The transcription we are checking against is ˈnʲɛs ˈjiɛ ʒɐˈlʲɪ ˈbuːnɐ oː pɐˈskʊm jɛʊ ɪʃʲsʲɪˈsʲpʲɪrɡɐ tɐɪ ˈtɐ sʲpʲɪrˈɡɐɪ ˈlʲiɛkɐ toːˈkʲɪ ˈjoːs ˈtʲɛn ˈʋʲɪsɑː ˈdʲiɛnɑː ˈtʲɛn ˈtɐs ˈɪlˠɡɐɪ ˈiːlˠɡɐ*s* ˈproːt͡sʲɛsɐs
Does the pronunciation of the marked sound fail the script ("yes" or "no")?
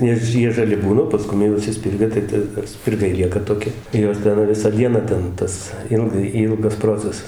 no